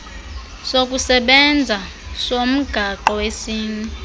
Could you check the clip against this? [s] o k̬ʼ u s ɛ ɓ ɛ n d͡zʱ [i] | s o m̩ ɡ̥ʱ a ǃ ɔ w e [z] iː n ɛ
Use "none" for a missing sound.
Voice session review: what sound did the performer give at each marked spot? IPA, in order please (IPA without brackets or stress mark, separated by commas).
s, a, s